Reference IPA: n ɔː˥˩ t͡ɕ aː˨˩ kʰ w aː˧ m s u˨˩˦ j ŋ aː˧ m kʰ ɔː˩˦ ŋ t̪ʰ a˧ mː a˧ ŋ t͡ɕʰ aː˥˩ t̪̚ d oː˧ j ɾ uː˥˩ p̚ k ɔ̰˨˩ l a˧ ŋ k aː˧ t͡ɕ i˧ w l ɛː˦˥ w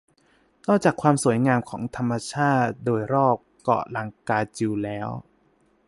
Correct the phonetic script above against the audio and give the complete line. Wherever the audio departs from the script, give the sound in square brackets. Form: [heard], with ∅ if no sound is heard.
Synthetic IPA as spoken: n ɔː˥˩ t͡ɕ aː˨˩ kʰ w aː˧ m s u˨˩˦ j ŋ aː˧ m kʰ ɔː˩˦ ŋ t̪ʰ a˧ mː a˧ [∅] t͡ɕʰ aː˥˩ t̪̚ d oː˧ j ɾ [ɔː˥˩] p̚ k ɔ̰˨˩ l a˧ ŋ k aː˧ t͡ɕ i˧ w l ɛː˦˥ w

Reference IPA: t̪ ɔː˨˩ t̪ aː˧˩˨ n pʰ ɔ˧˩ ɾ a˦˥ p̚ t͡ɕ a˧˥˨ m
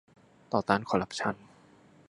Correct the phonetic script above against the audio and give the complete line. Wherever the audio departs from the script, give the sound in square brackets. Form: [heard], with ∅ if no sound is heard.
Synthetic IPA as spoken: t̪ ɔː˨˩ t̪ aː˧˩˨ n [kʰ] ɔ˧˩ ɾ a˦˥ p̚ [t͡ɕʰ] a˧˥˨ [n]

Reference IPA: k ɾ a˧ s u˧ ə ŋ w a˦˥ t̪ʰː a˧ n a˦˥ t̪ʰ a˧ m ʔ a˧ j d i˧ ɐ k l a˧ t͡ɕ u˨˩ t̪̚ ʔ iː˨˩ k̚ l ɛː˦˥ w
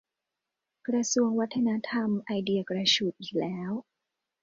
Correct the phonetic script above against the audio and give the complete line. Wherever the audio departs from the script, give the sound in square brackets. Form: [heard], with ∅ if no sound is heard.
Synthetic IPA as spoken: k ɾ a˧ s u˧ ə ŋ w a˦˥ t̪ʰː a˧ n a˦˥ t̪ʰ a˧ m ʔ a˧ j d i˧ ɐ k [ɾ] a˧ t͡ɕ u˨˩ t̪̚ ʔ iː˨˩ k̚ l ɛː˦˥ w

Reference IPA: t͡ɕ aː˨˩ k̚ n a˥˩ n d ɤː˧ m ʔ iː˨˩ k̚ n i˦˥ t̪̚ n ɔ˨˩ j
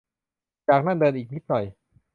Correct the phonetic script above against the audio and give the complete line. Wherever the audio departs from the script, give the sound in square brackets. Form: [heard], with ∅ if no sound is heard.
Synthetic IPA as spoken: t͡ɕ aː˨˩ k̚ n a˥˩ n d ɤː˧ [n] ʔ iː˨˩ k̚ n i˦˥ t̪̚ n ɔ˨˩ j

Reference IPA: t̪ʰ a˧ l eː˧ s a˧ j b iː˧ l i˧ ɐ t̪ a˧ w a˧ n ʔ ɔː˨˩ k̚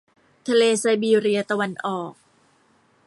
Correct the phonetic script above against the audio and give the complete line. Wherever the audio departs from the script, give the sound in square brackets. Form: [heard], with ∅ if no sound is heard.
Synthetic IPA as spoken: t̪ʰ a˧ l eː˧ s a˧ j b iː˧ [ɾ] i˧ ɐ t̪ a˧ w a˧ n ʔ ɔː˨˩ k̚

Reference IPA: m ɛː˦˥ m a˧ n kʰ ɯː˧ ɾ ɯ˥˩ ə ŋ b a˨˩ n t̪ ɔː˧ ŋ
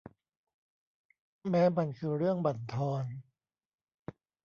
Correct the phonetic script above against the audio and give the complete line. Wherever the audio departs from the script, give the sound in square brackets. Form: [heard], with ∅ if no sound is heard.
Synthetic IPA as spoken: m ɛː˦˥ m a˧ n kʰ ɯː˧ ɾ ɯ˥˩ ə ŋ b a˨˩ n [t̪ʰ] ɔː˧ [n]

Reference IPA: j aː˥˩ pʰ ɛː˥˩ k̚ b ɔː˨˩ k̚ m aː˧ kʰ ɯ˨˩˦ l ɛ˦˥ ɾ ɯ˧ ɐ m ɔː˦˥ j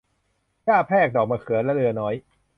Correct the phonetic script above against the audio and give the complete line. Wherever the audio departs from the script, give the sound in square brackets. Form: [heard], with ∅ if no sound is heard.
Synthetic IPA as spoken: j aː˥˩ pʰ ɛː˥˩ k̚ [d] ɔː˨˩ k̚ m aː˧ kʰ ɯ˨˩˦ l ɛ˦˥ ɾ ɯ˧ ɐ [n] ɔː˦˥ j

